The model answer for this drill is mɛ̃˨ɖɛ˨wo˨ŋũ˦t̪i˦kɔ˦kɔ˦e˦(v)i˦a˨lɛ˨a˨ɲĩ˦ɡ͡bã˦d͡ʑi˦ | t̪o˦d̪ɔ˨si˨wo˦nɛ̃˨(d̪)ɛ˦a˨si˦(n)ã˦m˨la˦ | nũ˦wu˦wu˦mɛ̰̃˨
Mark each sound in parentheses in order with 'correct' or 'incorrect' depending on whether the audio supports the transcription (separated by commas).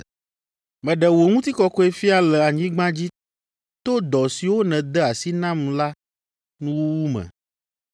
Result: incorrect, correct, correct